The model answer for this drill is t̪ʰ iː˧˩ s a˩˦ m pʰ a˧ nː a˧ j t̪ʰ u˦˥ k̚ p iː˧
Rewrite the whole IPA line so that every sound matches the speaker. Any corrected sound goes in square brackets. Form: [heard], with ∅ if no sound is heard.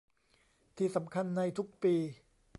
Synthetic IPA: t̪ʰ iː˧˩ s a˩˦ m [kʰ] a˧ nː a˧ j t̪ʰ u˦˥ k̚ p iː˧